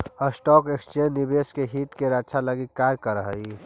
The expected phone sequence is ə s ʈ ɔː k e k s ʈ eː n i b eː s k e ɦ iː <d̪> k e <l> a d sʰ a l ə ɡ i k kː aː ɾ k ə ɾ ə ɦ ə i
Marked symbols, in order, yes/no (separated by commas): no, no